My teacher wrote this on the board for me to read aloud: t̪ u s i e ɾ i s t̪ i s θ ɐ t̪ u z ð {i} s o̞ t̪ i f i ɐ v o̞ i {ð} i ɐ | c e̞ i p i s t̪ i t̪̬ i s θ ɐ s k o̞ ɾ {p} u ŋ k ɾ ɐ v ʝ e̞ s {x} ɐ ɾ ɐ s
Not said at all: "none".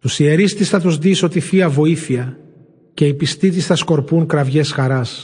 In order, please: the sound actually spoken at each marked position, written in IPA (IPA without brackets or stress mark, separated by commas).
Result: i, θ, p, x